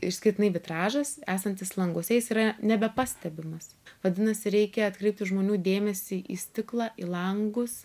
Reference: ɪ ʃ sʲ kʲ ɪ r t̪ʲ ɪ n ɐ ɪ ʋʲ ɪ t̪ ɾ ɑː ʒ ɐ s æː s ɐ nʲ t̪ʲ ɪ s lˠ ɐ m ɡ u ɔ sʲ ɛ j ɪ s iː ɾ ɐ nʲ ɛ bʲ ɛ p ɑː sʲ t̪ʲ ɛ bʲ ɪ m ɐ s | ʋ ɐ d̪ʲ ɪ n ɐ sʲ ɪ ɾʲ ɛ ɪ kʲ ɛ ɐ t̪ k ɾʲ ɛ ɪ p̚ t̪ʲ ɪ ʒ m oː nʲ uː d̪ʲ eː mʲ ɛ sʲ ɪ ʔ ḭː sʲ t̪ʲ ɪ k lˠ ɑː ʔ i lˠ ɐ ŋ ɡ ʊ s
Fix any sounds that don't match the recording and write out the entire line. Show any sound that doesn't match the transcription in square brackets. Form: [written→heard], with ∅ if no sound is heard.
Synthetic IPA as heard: ɪ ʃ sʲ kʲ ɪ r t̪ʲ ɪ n ɐ ɪ ʋʲ ɪ t̪ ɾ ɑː ʒ ɐ s æː s ɐ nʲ t̪ʲ ɪ s lˠ ɐ [m→ŋ] ɡ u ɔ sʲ ɛ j ɪ s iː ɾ ɐ nʲ ɛ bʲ ɛ p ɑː sʲ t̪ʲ ɛ bʲ ɪ m ɐ s | ʋ ɐ d̪ʲ ɪ n ɐ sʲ ɪ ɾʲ ɛ ɪ kʲ ɛ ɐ t̪ k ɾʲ ɛ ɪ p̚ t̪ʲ ɪ ʒ m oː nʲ uː d̪ʲ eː mʲ ɛ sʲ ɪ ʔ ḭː sʲ t̪ʲ ɪ k lˠ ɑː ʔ i lˠ ɐ ŋ ɡ ʊ s